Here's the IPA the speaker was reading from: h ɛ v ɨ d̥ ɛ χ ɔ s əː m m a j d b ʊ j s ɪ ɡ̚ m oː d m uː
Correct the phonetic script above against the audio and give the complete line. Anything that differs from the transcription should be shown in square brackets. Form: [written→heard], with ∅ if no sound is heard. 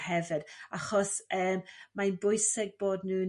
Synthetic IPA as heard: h ɛ v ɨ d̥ [ɛ→a] χ ɔ s əː m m a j [d→n] b ʊ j s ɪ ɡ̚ [m→b] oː d [m→n] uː

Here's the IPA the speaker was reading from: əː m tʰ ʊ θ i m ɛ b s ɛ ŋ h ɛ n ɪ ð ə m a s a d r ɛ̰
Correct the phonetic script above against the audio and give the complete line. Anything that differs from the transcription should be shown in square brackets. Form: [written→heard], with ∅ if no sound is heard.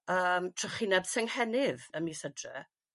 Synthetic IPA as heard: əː m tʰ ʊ [θ→χ] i [m→n] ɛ b s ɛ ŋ h ɛ n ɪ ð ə m [a→i] s [a→ə] d r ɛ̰

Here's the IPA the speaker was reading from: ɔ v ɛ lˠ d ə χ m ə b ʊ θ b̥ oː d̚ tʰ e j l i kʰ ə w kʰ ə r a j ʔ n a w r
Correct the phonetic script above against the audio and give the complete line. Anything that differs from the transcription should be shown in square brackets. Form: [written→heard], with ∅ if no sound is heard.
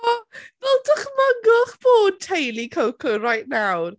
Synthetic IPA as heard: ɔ v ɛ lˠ d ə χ m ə [b→ɡ] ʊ [θ→χ] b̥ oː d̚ tʰ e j l i kʰ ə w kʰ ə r a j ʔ n a w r

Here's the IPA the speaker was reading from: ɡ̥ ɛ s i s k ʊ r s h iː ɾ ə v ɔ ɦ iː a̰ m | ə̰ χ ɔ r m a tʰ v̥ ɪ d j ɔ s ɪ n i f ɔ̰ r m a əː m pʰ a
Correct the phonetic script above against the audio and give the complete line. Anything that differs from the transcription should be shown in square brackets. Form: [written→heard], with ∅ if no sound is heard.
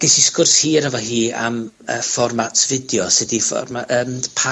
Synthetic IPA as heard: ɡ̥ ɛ s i s k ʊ r s h iː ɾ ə v ɔ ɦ iː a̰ m | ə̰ [χ→f] ɔ r m a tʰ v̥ ɪ d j ɔ s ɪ [n→d] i f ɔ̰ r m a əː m pʰ a

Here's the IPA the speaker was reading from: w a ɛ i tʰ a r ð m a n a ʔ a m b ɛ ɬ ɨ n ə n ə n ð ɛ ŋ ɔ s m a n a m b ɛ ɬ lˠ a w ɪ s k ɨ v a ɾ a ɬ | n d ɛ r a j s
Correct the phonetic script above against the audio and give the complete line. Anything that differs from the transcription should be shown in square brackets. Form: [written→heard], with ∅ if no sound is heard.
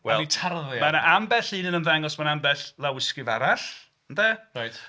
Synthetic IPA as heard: w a ɛ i tʰ a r ð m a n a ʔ a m b ɛ ɬ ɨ n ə n ə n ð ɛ ŋ ɔ s m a n a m b ɛ ɬ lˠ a w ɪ s k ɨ v a ɾ a ɬ | n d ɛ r a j [s→t]

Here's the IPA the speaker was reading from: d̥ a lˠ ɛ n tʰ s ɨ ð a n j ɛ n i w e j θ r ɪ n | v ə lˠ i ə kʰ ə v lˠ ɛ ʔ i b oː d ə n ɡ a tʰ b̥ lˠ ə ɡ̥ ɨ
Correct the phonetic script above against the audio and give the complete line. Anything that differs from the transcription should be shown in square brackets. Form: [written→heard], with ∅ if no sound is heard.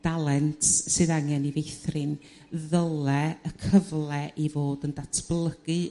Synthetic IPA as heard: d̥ a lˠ ɛ n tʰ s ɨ ð a [n→ŋ] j ɛ n i [w→v] e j θ r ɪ n | [v→ð] ə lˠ [i→ɛ] ə kʰ ə v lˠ ɛ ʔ i [b→v] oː d ə n [ɡ→d] a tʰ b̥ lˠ ə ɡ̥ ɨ

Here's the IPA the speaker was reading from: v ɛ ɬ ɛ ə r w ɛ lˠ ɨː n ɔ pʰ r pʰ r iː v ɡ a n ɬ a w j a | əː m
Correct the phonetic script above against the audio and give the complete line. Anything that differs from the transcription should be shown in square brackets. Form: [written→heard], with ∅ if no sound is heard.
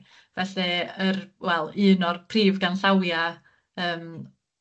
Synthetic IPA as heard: v ɛ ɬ ɛ ə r w ɛ lˠ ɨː n ɔ [pʰ→∅] r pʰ r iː v ɡ a n ɬ a w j a | əː m

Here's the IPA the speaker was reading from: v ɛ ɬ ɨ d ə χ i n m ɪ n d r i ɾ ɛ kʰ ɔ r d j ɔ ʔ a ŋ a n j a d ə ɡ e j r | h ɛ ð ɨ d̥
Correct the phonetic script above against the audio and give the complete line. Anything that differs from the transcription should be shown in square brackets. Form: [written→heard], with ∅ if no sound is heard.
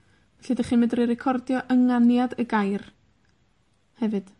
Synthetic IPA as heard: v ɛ ɬ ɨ d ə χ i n m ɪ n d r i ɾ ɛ kʰ ɔ r d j ɔ ʔ [a→ə] ŋ a n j a d ə ɡ [e→a] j r | h ɛ [ð→v] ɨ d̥

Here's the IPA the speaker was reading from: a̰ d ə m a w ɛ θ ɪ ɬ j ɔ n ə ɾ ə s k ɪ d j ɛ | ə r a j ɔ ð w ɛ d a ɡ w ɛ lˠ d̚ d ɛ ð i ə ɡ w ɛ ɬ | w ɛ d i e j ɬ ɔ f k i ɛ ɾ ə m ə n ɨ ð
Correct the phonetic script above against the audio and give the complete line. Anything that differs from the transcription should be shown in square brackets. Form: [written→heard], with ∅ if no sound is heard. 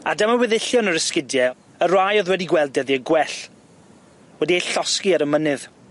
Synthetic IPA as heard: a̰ d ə m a w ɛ [θ→ð] ɪ ɬ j ɔ n ə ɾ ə s k ɪ d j ɛ | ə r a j ɔ ð w ɛ d [a→i] ɡ w ɛ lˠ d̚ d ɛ ð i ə ɡ w ɛ ɬ | w ɛ d i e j ɬ ɔ [f→s] k i [ɛ→a] ɾ ə m ə n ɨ ð

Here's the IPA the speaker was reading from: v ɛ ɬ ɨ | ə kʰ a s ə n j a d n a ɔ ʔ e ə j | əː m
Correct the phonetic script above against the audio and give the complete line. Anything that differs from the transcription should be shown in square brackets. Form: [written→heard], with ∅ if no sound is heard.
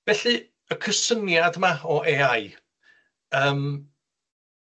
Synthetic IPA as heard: v ɛ ɬ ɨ | ə kʰ [a→ə] s ə n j a d [n→m] a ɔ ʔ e [ə→a] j | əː m

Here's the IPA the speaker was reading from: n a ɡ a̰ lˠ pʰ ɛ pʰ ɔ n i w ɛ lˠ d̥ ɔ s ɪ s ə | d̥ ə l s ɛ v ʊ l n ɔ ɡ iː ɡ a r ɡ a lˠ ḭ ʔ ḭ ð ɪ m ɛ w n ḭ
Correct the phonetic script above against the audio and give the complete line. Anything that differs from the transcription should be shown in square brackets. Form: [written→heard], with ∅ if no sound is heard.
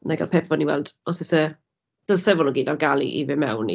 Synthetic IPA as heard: n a ɡ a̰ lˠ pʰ ɛ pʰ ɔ n i w ɛ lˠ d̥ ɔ s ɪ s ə | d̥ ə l s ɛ v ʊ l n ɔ ɡ iː [ɡ→d] a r ɡ a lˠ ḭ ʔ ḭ [ð→v] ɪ m ɛ w n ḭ

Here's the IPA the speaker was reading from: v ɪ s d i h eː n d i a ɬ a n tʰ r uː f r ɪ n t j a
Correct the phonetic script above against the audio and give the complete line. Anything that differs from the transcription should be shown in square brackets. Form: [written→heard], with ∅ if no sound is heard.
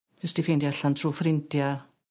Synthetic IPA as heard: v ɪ s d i [h→f] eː n d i a ɬ a n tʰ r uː f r ɪ n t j a

